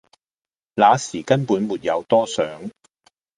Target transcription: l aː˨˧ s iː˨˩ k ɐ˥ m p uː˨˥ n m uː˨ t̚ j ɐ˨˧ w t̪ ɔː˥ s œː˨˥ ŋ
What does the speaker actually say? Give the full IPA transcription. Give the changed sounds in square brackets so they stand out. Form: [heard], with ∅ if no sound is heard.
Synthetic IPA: l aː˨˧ s iː˨˩ k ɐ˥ [n] p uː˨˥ n m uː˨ t̚ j ɐ˨˧ w t̪ ɔː˥ s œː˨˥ ŋ